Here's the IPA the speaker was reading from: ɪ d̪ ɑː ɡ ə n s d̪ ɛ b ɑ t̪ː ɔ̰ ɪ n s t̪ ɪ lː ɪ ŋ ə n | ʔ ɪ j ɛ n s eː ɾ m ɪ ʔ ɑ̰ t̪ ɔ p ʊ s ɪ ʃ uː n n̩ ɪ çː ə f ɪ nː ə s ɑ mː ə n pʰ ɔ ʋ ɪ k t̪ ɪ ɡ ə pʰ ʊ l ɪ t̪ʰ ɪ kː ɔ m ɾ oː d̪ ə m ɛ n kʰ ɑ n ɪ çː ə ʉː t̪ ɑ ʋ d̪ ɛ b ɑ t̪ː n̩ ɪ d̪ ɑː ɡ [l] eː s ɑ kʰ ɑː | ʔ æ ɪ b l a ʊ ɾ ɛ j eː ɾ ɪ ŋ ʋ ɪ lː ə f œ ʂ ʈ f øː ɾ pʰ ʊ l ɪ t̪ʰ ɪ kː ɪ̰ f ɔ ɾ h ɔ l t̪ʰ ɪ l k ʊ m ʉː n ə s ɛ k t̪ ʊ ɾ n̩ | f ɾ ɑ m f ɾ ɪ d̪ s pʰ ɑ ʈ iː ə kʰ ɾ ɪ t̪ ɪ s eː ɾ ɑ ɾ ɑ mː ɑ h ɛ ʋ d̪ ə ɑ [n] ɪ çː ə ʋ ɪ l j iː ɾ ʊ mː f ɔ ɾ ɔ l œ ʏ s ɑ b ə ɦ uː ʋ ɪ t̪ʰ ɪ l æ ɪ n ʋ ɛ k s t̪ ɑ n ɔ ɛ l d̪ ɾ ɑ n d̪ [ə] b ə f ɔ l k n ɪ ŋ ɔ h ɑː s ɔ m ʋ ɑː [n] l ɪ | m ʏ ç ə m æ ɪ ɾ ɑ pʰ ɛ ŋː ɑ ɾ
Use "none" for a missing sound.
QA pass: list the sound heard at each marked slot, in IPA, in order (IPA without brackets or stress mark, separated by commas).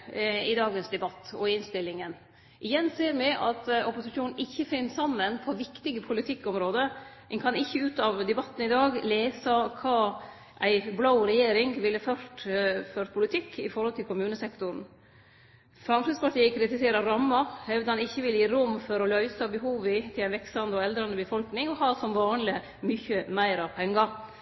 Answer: l, n, ə, n